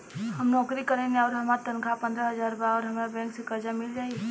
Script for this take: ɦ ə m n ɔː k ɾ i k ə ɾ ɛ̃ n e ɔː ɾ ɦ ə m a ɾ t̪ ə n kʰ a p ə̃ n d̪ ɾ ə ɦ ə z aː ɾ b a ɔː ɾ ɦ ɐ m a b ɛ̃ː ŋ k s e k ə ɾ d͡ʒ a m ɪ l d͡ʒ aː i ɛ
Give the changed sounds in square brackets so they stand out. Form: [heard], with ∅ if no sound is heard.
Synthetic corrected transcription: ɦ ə m n ɔː k ɾ i k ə ɾ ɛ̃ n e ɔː ɾ ɦ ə m a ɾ t̪ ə n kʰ a p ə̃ n d̪ ɾ ə ɦ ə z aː ɾ b a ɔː ɾ ɦ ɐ m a b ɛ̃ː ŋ k s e k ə ɾ d͡ʒ a m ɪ l d͡ʒ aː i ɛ